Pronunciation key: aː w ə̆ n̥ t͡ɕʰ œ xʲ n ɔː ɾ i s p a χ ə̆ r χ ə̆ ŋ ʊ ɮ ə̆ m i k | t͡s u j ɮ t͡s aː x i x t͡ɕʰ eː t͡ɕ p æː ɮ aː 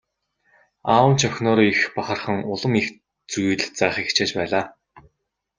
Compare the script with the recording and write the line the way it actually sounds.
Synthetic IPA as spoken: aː w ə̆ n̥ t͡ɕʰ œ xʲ n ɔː ɾ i x p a χ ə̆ r χ ə̆ ŋ ʊ ɮ ə̆ m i x | t͡s u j ɮ t͡s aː χ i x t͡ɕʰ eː t͡ɕ p æː ɮ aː